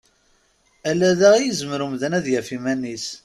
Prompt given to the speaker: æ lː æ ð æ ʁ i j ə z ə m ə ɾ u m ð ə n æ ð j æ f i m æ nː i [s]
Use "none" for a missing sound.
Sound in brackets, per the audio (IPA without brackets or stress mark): s